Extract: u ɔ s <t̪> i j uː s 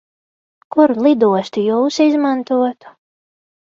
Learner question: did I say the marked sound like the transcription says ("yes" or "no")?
yes